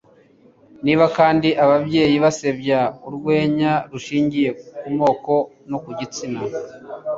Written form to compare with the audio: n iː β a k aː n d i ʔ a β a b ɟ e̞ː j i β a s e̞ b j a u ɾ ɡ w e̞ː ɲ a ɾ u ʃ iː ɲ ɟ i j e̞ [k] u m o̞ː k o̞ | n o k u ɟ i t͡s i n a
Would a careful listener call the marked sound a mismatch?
no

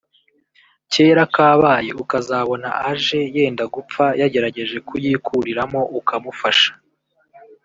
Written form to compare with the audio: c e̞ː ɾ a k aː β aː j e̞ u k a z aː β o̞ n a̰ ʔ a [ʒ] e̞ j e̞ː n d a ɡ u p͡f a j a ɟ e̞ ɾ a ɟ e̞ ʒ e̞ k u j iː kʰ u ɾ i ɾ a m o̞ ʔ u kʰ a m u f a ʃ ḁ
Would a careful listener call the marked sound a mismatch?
no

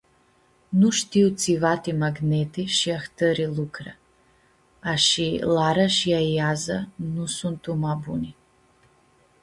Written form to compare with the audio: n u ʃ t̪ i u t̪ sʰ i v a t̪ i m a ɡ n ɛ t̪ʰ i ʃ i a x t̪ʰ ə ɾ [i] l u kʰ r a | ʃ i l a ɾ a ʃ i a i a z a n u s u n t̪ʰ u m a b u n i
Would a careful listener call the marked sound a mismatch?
no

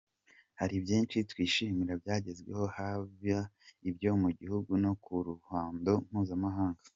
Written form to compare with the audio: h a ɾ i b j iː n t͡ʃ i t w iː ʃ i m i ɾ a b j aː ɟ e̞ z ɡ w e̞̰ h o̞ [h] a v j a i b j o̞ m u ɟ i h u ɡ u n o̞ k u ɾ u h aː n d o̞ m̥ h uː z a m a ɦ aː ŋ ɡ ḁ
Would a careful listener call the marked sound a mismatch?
no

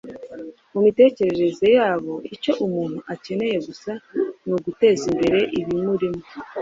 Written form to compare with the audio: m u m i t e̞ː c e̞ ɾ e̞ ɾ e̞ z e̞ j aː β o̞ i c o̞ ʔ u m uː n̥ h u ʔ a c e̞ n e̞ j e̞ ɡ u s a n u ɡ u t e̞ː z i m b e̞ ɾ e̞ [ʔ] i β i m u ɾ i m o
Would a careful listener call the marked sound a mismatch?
no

